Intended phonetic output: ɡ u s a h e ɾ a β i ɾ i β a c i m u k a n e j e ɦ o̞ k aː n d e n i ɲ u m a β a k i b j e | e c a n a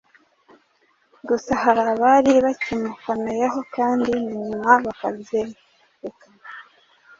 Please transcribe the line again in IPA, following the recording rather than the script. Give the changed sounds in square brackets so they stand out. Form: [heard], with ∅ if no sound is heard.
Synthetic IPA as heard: ɡ u s a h [a] ɾ a β [a] ɾ i β a c i m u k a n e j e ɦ o̞ k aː n d [i] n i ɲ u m a β a k [a] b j e | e [k] a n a